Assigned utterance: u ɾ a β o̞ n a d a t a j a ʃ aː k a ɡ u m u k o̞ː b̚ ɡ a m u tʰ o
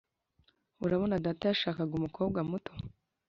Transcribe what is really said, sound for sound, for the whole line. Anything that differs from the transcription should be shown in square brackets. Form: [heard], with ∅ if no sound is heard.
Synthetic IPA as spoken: u ɾ a β o̞ n a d a t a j a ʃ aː k a ɡ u m u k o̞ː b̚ ɡ a m u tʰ o